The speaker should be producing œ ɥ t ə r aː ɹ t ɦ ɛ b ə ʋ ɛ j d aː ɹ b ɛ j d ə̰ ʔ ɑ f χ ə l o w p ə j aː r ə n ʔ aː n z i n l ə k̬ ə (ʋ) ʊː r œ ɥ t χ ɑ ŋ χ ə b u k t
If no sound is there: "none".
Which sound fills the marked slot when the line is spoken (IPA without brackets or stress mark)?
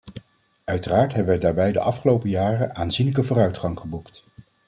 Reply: v